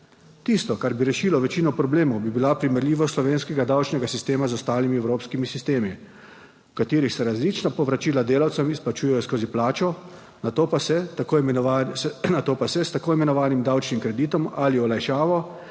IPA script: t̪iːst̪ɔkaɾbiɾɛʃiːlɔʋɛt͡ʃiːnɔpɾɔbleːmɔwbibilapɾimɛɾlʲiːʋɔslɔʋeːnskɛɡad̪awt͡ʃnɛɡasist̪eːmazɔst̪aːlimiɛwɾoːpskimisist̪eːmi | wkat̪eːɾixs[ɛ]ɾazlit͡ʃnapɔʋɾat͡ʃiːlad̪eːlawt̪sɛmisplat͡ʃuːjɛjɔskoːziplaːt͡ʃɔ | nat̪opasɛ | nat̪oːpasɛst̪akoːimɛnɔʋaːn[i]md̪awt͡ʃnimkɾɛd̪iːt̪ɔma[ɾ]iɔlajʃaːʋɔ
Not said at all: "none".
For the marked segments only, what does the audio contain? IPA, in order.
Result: ɛ, i, l

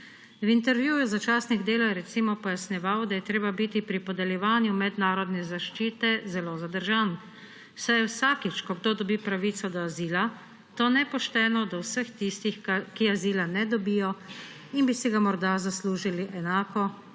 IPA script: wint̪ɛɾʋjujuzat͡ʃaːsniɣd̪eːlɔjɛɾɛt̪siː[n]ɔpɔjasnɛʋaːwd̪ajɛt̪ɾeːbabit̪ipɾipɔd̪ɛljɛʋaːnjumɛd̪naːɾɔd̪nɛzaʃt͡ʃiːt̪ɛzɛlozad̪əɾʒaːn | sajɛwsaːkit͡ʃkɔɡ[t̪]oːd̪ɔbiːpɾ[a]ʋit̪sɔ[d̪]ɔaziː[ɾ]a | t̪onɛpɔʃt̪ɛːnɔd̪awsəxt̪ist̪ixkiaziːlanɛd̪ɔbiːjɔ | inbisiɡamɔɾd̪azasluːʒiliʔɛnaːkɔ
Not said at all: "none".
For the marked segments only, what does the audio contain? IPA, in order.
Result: m, d̪, a, d̪, l

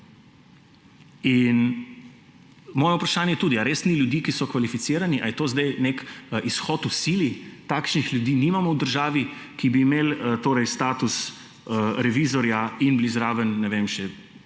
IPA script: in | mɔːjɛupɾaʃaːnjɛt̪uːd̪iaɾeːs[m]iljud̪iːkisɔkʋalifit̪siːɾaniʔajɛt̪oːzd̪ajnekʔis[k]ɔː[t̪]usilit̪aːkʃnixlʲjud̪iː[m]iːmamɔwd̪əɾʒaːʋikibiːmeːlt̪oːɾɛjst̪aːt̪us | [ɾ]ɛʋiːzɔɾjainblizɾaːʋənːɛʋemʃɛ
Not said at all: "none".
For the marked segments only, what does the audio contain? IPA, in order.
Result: n, x, t̪, n, ɾ

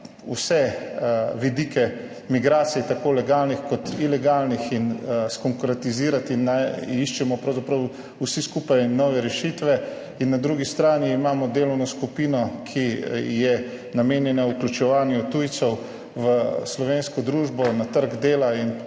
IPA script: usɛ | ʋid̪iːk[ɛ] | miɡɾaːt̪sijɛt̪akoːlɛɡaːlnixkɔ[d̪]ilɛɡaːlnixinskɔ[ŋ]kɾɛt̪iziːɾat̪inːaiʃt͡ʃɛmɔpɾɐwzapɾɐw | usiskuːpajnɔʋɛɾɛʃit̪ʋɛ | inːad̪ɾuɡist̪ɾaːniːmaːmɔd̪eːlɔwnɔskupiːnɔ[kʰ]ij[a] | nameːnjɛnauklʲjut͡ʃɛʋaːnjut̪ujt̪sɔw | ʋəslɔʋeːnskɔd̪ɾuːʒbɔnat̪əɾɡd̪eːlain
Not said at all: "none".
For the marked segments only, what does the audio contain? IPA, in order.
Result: ɛ, t̪, ŋ, kʰ, ɛ

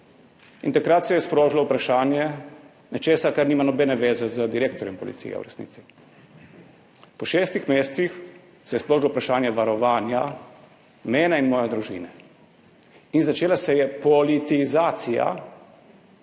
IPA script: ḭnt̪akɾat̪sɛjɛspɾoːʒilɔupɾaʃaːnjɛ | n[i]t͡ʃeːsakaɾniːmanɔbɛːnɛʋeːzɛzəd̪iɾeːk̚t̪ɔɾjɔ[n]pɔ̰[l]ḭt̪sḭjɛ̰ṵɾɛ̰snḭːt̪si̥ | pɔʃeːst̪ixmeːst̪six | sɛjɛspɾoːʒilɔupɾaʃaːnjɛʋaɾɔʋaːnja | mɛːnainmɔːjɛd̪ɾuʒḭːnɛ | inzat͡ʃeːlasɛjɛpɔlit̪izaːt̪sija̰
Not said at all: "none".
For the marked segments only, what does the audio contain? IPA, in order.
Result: ɛ, m, l

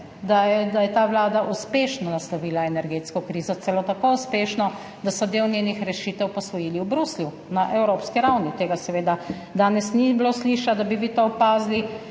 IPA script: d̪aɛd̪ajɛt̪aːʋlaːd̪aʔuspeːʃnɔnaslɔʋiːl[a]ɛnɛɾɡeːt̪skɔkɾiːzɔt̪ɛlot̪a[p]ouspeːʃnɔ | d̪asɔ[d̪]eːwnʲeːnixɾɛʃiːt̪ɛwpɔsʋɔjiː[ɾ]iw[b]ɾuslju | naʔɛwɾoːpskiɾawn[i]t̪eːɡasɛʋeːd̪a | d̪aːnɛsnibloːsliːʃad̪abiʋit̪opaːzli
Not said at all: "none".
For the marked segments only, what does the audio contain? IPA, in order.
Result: a, k, d̪, l, b, i

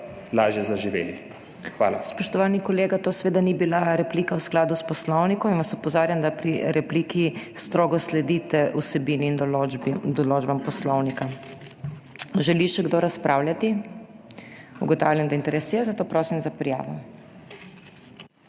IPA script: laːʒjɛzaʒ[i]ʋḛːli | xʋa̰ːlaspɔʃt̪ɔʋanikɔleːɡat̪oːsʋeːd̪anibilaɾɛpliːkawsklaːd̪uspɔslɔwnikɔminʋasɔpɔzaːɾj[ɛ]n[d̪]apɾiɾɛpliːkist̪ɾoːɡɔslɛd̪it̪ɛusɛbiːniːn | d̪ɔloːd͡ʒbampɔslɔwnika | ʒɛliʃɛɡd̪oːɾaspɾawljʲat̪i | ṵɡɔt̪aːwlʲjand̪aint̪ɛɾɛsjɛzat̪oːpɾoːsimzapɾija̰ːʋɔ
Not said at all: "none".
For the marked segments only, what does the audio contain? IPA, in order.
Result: i, a, d̪

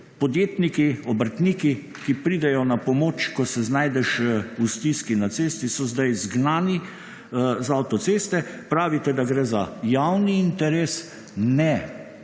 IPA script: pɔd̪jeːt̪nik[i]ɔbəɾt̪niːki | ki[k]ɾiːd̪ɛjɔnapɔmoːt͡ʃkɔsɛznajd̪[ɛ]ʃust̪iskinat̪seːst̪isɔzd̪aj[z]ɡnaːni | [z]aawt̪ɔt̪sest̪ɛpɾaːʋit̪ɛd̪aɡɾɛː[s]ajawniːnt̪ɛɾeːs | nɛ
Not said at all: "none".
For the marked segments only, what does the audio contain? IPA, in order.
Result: i, p, ɛ, z, z, z

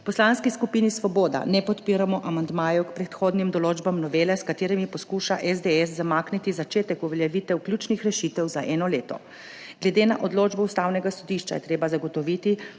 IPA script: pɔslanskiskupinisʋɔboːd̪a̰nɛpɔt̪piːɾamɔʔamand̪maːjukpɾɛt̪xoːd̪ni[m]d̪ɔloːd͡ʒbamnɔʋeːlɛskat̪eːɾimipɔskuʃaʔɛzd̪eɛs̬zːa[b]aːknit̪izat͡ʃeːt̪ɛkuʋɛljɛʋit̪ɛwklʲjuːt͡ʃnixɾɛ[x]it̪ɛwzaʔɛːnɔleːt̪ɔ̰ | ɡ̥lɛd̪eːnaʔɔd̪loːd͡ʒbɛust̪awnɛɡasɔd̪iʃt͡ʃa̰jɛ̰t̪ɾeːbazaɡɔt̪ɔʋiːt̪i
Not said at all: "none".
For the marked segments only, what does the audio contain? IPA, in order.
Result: m, m, ʃ

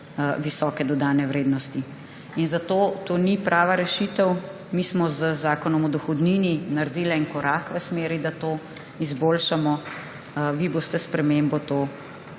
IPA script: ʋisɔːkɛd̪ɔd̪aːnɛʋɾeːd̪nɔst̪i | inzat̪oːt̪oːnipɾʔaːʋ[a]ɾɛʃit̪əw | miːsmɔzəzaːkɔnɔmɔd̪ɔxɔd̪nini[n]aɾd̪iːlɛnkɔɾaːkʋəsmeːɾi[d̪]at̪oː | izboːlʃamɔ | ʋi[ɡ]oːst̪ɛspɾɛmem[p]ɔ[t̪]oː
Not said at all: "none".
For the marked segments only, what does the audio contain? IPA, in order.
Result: a, n, d̪, b, b, t̪

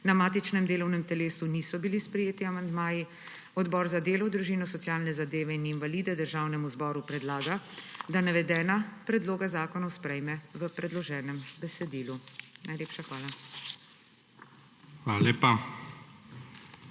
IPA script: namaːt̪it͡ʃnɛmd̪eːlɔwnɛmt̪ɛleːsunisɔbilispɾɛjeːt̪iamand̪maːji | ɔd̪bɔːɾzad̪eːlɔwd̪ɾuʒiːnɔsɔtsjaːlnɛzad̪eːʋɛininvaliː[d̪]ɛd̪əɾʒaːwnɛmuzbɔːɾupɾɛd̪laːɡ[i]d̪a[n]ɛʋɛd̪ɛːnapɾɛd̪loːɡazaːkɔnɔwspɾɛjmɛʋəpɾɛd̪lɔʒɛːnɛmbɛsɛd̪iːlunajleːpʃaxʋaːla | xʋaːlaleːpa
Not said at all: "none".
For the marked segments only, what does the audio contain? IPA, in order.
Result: d̪, a, n

